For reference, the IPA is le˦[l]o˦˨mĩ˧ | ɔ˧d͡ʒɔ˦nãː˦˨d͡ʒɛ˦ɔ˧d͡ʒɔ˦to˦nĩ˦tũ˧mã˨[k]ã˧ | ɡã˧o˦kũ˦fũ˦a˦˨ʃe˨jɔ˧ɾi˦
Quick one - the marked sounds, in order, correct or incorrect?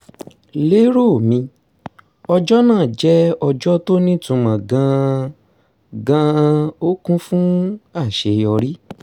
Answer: incorrect: ɾ, incorrect: ɡ

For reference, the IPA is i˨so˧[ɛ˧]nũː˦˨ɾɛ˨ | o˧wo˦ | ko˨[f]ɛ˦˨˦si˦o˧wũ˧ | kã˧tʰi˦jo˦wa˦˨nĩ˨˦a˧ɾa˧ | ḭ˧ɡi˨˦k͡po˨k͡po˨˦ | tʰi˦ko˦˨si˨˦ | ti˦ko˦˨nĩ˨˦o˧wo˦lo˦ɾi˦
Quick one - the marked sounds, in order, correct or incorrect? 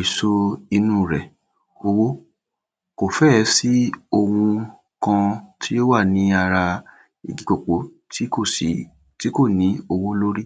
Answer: incorrect: i˧, correct

